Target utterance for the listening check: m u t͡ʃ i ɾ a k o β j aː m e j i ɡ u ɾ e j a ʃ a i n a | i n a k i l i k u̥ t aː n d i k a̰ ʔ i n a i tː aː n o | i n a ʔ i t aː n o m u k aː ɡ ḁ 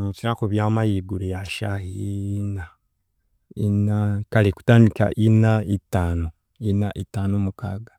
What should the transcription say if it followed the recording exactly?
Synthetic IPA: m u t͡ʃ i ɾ a k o β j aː m a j i ɡ u ɾ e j a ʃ a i n a | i n a k a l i k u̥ t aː n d i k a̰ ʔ i n a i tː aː n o | i n a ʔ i t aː n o m u k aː ɡ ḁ